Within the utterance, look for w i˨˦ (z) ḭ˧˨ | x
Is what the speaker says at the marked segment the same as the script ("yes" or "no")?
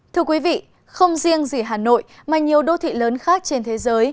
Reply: no